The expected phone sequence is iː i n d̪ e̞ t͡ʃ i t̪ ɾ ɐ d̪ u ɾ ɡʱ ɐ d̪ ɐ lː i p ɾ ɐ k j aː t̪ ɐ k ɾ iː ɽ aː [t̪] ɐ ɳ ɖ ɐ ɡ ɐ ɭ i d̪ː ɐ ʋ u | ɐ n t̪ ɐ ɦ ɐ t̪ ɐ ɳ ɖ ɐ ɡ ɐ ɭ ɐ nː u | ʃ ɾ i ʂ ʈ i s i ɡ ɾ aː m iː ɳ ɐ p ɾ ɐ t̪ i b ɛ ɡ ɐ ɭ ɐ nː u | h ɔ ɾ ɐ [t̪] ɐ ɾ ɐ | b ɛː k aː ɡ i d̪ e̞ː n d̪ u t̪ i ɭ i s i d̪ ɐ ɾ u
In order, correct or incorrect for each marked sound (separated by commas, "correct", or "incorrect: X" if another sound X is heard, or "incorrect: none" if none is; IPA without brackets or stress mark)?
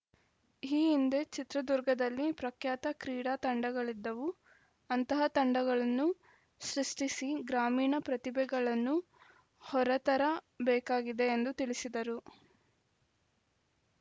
correct, correct